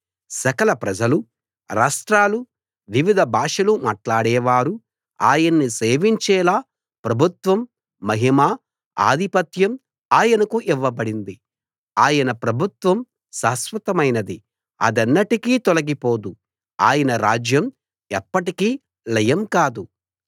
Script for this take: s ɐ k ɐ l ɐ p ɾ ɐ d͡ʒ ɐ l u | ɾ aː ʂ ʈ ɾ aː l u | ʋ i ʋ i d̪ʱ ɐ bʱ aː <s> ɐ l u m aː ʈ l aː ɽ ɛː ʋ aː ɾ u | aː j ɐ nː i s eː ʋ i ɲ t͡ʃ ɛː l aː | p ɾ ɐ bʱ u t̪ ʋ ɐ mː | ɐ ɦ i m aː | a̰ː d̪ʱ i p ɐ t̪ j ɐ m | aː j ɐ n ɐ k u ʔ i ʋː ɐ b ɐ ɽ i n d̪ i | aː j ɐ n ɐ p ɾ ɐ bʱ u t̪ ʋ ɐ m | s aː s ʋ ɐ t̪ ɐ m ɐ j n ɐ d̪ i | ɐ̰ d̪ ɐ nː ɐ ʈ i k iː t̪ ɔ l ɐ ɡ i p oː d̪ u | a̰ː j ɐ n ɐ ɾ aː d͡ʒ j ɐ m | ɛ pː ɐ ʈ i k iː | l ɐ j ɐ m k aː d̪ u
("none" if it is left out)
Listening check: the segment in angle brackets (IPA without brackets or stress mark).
ʂ